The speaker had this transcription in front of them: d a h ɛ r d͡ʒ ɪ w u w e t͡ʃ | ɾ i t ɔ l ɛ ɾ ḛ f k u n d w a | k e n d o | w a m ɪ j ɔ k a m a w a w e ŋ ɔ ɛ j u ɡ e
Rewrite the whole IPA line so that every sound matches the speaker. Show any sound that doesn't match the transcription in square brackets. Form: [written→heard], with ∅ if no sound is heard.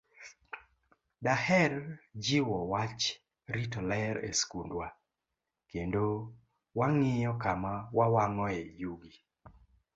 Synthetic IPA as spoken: d a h ɛ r d͡ʒ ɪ w [u→ɔ] w [e→a] t͡ʃ | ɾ i t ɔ l ɛ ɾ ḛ [f→s] k u n d w a | k e n d o | w a [m→ŋ] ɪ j ɔ k a m a w a w [e→a] ŋ ɔ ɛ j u ɡ [e→i]